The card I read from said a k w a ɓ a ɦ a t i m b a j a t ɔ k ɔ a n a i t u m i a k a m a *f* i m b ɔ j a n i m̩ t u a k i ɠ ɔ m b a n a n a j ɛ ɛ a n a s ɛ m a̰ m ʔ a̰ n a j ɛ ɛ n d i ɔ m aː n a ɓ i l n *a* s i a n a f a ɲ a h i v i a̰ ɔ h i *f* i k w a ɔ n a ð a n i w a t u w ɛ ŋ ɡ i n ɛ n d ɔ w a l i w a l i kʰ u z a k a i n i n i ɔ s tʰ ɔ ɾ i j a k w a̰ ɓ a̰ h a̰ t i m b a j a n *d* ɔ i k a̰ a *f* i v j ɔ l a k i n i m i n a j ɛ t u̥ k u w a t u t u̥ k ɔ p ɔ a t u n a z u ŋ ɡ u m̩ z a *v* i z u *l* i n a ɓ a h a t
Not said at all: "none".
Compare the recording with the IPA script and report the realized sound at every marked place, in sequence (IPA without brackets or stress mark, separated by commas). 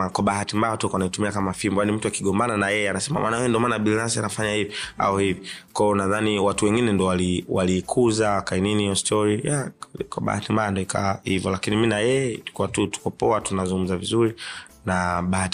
f, a, v, d, h, v, ɾ